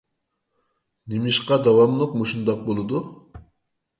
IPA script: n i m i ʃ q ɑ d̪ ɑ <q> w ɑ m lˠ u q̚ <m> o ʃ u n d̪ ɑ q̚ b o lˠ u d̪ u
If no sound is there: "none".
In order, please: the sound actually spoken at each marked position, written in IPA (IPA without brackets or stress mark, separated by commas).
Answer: none, m